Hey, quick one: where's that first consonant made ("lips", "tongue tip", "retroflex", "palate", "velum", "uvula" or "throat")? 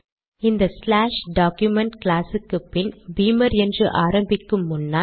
tongue tip